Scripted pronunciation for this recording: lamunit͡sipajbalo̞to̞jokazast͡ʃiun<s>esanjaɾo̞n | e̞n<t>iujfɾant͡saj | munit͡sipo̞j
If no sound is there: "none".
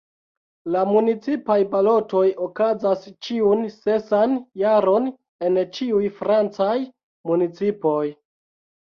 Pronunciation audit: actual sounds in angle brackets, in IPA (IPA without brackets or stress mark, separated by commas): s, t͡ʃ